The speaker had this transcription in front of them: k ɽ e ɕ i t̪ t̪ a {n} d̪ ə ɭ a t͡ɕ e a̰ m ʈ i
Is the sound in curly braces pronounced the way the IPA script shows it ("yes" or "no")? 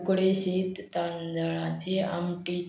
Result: yes